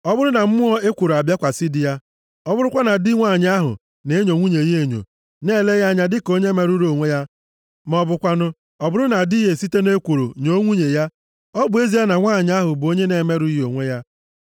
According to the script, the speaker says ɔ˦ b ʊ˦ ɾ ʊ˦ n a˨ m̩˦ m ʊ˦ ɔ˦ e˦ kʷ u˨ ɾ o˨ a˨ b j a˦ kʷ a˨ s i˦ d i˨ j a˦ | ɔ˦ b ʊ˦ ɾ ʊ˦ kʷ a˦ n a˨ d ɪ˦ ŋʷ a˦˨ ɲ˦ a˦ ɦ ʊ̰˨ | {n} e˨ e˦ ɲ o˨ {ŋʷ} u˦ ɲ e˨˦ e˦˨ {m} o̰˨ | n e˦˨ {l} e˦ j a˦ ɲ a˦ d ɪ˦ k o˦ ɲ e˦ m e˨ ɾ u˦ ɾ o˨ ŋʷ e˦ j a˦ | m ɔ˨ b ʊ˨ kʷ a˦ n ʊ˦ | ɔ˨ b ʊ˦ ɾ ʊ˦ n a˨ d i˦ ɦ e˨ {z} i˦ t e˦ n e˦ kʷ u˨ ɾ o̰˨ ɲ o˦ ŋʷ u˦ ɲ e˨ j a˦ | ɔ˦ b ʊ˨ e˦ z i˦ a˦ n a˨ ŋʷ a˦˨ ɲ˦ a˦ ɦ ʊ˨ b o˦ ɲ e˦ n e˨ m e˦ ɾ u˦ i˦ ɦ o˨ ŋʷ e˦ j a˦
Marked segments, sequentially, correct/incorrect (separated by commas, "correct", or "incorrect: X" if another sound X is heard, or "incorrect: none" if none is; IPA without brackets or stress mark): correct, correct, incorrect: ɲ, correct, incorrect: s